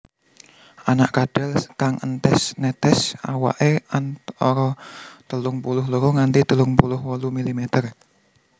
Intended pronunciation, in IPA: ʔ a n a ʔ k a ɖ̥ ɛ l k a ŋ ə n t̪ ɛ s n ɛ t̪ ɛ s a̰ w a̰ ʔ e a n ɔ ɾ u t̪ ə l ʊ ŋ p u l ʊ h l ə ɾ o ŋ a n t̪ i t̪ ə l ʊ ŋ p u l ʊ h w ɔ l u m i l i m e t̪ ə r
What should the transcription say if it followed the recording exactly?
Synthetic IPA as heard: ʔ a n a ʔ k a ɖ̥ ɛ l k a ŋ ə n t̪ ɛ s n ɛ t̪ ɛ s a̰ w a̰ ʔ e a n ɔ ɾ ɔ t̪ ə l ʊ ŋ p u l ʊ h l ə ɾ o ŋ a n t̪ i t̪ ə l ʊ ŋ p u l ʊ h w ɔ l u m i l i m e t̪ ə r